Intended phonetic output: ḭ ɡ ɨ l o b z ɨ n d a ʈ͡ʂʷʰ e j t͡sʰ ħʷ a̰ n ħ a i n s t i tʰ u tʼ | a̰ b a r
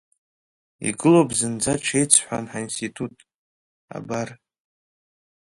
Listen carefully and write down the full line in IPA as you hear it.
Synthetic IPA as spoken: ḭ ɡ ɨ l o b z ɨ n d͡z a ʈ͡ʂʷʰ e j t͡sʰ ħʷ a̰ n ħ a i n s t i tʰ u tʼ | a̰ b a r